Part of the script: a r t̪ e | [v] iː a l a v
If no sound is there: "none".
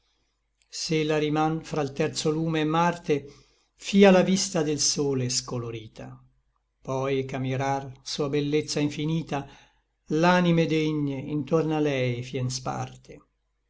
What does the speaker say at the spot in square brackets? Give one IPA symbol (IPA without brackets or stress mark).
f